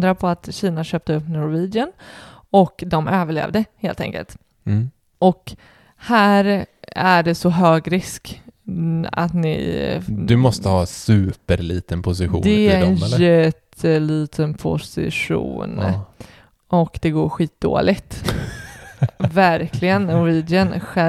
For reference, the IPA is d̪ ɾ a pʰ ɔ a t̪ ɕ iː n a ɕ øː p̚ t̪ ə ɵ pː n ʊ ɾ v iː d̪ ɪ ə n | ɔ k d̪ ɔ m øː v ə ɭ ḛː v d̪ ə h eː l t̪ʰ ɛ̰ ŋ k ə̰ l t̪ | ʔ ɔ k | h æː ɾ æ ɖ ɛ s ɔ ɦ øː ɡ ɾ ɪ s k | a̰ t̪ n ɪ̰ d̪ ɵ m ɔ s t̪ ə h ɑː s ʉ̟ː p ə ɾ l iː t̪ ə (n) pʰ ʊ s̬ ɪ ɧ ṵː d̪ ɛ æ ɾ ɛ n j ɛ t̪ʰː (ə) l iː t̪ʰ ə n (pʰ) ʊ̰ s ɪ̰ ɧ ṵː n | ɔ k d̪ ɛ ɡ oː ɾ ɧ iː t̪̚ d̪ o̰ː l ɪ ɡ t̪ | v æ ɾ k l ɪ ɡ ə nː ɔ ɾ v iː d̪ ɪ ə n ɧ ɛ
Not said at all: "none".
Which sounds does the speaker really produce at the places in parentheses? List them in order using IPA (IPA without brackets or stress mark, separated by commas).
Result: n, ə, pʰ